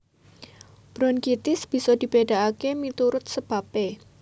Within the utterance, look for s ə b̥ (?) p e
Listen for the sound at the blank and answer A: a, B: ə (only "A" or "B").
A